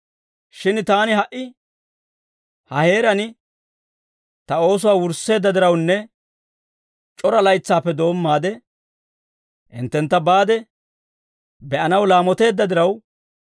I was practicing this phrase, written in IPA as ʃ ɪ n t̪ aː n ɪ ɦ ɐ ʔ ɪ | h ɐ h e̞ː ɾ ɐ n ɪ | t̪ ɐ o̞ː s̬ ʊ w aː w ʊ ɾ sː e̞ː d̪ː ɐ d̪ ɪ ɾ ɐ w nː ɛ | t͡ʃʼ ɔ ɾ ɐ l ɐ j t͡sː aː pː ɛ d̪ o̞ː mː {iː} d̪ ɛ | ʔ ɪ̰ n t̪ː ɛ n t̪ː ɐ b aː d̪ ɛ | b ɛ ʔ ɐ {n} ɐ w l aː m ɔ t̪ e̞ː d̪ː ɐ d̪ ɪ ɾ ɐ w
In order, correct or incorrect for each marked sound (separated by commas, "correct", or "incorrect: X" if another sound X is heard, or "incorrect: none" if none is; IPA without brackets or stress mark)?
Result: incorrect: aː, correct